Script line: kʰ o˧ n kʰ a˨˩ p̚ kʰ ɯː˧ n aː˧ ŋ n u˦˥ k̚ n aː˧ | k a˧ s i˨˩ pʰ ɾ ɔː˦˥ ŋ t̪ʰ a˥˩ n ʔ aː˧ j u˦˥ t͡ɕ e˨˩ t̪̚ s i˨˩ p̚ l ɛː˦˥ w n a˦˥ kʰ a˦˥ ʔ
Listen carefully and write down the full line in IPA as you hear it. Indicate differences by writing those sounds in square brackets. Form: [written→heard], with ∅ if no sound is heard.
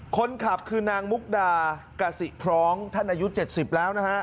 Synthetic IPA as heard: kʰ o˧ n kʰ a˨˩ p̚ kʰ ɯː˧ n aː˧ ŋ [n→m] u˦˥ k̚ [n→d] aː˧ | k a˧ s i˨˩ pʰ ɾ ɔː˦˥ ŋ t̪ʰ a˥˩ n ʔ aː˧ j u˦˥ t͡ɕ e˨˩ t̪̚ s i˨˩ p̚ l ɛː˦˥ w n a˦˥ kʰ a˦˥ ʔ